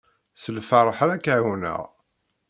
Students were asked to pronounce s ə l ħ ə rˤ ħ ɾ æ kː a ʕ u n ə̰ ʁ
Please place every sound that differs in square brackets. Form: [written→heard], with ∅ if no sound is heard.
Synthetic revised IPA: s ə l [ħ→f] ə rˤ ħ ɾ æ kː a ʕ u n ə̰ ʁ